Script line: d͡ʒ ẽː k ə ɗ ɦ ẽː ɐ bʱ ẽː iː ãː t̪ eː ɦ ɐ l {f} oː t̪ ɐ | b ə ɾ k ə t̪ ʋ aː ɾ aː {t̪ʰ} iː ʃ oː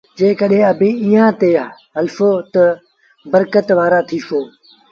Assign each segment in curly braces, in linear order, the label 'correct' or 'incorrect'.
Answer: correct, correct

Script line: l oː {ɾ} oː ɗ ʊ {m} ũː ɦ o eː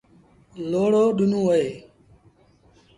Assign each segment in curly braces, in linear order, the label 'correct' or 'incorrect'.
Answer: incorrect: ɽ, incorrect: n

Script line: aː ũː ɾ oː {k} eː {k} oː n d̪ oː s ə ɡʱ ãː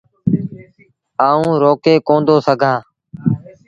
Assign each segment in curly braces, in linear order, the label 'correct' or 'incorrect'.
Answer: correct, correct

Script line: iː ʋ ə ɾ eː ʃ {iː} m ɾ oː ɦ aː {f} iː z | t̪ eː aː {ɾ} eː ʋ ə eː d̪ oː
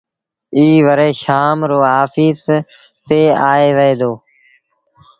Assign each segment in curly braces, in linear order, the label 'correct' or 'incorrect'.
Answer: incorrect: aː, correct, incorrect: none

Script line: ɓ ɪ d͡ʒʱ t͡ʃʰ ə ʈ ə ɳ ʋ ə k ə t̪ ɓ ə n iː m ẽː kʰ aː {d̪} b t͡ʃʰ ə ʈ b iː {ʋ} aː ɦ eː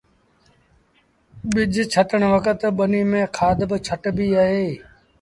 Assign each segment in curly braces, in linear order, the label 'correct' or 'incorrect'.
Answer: correct, incorrect: none

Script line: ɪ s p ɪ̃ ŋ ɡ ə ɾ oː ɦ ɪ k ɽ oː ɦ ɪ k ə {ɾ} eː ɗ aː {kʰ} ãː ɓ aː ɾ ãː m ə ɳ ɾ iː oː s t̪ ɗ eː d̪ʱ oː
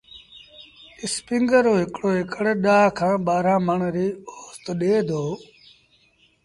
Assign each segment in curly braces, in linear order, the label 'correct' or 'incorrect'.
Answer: incorrect: ɽ, correct

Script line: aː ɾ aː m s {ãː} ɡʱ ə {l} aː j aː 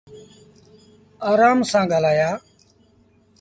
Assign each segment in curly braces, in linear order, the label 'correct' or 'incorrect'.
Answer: correct, correct

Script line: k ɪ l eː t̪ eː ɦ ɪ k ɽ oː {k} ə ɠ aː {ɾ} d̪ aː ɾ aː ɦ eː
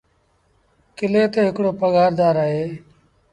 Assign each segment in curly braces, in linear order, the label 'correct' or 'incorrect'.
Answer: incorrect: p, correct

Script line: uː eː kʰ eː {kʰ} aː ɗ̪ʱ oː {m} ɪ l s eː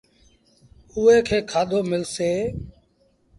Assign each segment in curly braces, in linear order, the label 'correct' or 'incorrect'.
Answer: correct, correct

